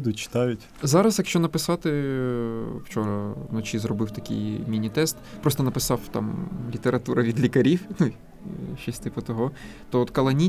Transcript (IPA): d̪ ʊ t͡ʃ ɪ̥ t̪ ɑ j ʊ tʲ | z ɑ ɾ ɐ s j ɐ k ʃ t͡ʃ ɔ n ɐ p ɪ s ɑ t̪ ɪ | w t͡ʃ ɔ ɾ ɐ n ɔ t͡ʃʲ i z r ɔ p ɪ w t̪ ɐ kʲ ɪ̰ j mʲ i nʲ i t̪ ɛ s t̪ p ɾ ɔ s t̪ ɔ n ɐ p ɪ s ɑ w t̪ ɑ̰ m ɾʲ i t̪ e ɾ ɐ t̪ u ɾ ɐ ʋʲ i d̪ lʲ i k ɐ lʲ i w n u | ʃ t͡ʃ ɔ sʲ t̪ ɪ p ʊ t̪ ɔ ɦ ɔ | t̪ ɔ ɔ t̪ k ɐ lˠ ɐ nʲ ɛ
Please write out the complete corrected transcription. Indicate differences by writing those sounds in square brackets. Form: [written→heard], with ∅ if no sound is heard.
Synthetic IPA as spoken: d̪ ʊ t͡ʃ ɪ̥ t̪ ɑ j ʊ tʲ | z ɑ ɾ ɐ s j ɐ k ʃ t͡ʃ ɔ n ɐ p ɪ s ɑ t̪ ɪ | w t͡ʃ ɔ ɾ ɐ n ɔ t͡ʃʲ i z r ɔ [p→b] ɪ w t̪ ɐ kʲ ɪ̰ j mʲ i nʲ i t̪ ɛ s t̪ p ɾ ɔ s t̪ ɔ n ɐ p ɪ s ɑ w t̪ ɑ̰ m [ɾʲ→lʲ] i t̪ e ɾ ɐ t̪ u ɾ ɐ ʋʲ i d̪ lʲ i k ɐ [lʲ→ɾʲ] i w n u | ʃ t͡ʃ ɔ sʲ t̪ ɪ p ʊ t̪ ɔ ɦ ɔ | t̪ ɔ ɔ t̪ k ɐ lˠ ɐ nʲ [ɛ→i]